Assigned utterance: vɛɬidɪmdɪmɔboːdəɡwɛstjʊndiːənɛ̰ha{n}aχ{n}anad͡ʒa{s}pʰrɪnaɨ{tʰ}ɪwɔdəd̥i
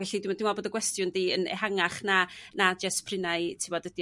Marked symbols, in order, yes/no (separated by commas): no, yes, yes, yes